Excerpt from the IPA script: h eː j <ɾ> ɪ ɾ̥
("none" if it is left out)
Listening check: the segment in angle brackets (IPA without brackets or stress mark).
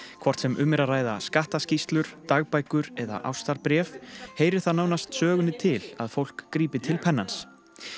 ɾ